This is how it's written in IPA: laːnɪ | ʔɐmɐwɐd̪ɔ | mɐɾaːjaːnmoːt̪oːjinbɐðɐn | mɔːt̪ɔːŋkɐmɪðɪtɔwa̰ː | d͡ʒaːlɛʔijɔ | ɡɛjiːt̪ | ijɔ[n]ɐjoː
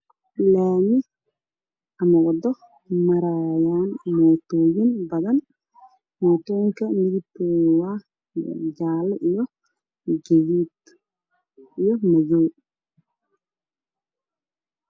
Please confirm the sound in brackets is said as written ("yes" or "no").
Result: no